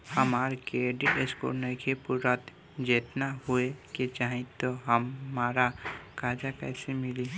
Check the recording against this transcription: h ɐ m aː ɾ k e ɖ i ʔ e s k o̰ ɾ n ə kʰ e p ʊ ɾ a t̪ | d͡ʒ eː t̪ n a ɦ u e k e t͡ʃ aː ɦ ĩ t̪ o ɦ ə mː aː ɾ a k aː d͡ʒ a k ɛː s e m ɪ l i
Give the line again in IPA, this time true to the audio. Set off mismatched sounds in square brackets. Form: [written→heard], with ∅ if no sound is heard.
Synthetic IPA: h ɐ m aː ɾ k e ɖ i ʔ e s k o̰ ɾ n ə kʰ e p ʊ ɾ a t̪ | d͡ʒ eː t̪ n a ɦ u e k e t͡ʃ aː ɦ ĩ t̪ o ɦ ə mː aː ɾ a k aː d͡ʒ a k ɛː s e m ɪ l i